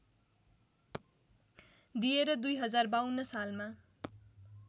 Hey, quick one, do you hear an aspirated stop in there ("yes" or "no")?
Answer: no